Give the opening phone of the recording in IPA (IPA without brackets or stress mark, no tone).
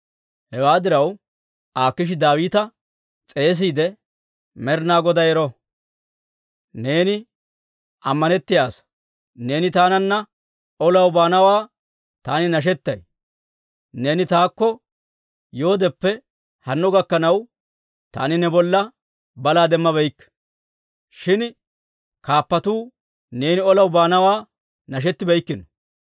h